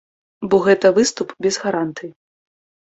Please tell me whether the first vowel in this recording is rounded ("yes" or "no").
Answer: yes